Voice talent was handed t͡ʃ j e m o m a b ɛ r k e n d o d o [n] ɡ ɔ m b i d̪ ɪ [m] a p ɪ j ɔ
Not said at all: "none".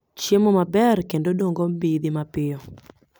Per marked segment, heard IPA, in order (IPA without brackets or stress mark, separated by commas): ŋ, m